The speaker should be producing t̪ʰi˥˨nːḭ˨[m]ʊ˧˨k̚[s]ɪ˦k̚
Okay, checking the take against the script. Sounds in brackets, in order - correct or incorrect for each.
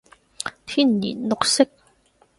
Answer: incorrect: n, correct

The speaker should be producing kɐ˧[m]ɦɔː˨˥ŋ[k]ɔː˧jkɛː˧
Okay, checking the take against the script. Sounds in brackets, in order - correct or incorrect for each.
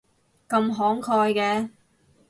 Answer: correct, incorrect: kʰ

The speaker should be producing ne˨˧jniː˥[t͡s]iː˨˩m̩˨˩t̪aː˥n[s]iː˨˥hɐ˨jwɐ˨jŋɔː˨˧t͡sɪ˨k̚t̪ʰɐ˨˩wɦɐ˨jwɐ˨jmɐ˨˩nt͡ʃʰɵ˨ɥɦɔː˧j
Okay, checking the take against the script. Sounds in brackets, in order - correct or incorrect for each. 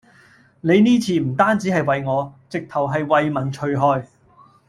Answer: incorrect: t͡sʰ, incorrect: t͡s

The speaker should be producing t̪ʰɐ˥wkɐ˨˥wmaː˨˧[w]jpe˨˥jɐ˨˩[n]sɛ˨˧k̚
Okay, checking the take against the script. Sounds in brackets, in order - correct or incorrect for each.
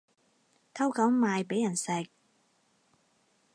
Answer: incorrect: none, correct

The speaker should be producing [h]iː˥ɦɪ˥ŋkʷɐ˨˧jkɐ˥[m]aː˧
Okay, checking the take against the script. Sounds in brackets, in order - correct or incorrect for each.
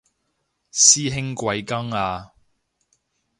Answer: incorrect: s, incorrect: ŋ

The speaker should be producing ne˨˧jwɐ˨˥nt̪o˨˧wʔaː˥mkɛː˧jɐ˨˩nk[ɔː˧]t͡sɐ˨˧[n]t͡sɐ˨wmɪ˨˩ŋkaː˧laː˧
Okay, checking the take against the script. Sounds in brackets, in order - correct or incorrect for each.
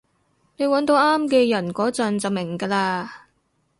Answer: incorrect: ɔː˨˥, correct

